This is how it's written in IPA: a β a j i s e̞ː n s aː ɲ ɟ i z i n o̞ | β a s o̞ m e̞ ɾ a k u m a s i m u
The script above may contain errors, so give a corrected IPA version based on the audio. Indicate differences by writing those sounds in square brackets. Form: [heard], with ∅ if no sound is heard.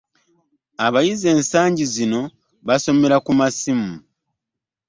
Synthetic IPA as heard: a β a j i [z] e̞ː n s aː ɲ ɟ i z i n o̞ | β a s o̞ m e̞ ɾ a k u m a s i m u